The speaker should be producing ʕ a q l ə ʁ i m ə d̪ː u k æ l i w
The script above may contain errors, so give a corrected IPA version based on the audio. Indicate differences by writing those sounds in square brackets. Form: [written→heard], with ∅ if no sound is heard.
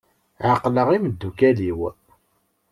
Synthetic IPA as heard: ʕ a q l ə ʁ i m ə d̪ː u k æ l i w